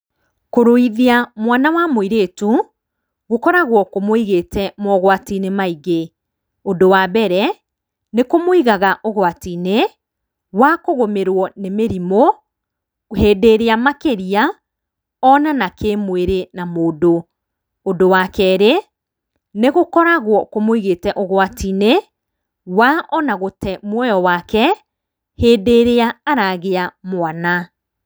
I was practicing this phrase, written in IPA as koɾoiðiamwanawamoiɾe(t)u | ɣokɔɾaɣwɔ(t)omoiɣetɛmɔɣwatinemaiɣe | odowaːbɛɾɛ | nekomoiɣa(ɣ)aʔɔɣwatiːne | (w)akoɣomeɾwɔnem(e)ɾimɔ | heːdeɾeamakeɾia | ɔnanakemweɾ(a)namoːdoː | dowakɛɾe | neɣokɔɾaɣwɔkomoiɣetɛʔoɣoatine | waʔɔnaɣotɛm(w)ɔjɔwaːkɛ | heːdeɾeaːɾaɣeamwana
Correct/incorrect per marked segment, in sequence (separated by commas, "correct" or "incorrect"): correct, incorrect, correct, correct, correct, incorrect, correct